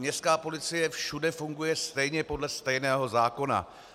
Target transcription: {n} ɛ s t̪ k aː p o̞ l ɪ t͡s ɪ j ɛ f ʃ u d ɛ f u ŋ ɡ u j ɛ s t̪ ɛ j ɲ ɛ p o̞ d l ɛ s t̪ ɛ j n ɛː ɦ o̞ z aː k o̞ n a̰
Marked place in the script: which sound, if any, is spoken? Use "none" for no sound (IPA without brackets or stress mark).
ɲ